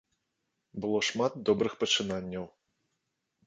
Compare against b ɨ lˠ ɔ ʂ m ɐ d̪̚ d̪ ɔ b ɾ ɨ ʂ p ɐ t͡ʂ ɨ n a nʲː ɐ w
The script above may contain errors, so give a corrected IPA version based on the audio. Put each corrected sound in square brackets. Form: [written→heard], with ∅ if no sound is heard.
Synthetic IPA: b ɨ lˠ ɔ ʂ m [ɐ→a] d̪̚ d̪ ɔ b ɾ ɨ [ʂ→x] p ɐ t͡ʂ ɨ n a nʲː ɐ w